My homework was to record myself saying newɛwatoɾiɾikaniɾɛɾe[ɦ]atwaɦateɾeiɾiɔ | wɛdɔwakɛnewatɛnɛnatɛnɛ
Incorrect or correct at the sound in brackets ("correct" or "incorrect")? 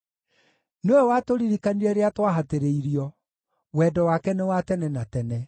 incorrect